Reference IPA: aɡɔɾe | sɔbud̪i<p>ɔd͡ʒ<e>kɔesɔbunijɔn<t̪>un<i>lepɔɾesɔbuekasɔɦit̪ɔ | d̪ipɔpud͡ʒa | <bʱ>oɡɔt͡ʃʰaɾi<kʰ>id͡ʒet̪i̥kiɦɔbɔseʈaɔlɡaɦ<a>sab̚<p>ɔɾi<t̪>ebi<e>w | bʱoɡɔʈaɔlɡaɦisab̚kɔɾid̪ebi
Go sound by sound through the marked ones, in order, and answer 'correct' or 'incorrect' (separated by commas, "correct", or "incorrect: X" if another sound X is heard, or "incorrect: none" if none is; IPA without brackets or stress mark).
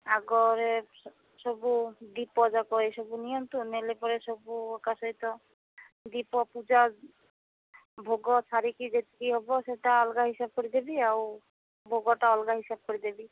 correct, incorrect: a, correct, incorrect: e, correct, incorrect: k, incorrect: i, incorrect: k, incorrect: d̪, incorrect: a